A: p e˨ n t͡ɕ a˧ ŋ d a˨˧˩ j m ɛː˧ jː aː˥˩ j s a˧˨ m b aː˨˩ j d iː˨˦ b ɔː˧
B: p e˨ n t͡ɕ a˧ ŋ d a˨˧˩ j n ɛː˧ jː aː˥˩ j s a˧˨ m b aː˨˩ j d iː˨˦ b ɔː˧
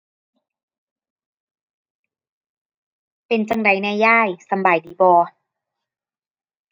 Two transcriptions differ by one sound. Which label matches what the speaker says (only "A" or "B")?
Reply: B